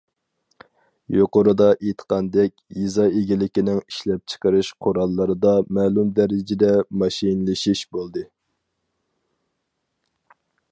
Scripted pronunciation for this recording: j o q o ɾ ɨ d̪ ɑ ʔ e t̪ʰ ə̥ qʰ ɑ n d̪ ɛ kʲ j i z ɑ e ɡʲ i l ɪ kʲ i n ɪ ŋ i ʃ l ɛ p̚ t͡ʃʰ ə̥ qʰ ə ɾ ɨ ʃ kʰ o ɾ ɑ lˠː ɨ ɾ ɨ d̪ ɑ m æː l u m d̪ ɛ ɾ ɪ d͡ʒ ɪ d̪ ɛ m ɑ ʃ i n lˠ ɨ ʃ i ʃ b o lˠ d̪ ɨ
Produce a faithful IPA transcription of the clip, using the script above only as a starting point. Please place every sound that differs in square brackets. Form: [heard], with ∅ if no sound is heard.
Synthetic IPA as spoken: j o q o ɾ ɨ d̪ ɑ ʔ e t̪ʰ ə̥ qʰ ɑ n d̪ ɛ kʲ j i z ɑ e ɡʲ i l ɪ kʲ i n ɪ ŋ i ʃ l ɛ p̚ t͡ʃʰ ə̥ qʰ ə ɾ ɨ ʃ [qʰ] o ɾ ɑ lˠː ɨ ɾ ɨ d̪ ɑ m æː l u m d̪ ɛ ɾ ɪ d͡ʒ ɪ d̪ ɛ m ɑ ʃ i n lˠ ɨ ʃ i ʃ b o lˠ d̪ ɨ